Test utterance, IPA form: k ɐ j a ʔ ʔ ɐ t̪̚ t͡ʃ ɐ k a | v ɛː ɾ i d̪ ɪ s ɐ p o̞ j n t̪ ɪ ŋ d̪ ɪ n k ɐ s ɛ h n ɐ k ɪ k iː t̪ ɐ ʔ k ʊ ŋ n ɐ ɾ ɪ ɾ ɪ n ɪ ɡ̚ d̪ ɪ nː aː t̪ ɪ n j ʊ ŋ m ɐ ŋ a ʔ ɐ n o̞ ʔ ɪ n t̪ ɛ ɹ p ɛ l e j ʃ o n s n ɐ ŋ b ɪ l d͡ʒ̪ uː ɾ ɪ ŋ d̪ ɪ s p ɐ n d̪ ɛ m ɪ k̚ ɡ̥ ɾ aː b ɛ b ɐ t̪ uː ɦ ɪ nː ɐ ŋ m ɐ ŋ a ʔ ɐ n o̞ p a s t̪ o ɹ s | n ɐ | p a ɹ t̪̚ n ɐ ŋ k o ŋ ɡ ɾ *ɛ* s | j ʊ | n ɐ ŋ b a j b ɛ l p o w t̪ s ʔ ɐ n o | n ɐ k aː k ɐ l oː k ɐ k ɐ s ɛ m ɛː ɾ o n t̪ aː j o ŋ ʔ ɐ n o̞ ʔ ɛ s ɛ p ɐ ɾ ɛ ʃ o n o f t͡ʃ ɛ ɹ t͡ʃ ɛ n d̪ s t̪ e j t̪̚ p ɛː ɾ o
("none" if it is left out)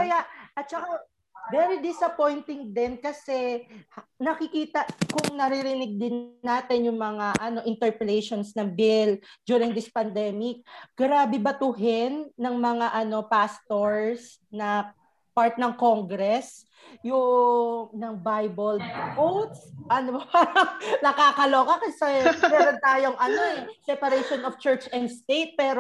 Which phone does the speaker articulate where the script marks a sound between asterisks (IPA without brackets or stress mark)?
ɛ